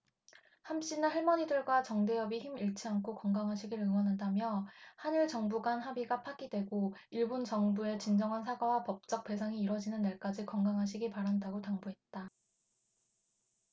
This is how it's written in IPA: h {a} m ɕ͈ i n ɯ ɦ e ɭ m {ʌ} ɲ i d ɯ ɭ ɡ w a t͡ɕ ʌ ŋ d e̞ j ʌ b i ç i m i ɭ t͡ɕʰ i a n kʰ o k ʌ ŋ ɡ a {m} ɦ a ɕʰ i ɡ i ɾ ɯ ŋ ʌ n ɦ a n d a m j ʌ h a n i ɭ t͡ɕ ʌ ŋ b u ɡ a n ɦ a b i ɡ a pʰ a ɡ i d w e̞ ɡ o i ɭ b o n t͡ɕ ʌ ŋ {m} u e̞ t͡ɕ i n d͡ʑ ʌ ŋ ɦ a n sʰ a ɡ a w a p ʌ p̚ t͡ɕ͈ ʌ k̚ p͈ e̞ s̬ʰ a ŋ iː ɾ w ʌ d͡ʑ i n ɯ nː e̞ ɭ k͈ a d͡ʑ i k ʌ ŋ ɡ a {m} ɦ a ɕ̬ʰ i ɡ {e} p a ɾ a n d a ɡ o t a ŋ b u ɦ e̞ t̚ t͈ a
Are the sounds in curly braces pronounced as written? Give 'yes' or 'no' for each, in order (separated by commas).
yes, yes, no, no, no, no